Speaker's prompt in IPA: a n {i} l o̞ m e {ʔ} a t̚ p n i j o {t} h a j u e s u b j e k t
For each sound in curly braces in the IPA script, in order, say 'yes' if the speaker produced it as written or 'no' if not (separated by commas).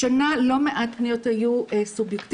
no, yes, yes